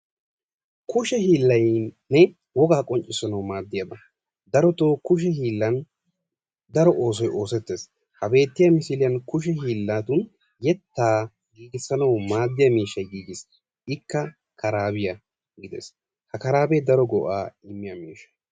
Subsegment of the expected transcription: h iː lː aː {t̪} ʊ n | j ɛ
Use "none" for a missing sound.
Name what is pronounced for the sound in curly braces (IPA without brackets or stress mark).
t̪